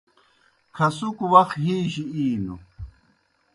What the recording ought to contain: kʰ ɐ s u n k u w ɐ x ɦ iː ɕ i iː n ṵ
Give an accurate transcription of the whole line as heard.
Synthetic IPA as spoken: kʰ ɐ s u k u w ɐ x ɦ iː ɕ i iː n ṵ